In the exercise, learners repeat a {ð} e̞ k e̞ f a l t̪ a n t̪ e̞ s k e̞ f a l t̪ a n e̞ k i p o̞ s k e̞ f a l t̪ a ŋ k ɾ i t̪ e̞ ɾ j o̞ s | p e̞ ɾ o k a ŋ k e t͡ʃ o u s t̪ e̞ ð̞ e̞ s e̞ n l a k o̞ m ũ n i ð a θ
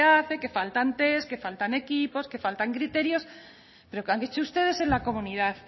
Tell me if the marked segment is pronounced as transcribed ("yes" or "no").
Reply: no